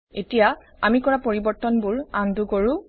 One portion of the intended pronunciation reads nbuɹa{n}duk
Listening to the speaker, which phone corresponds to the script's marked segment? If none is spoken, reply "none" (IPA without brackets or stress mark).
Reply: n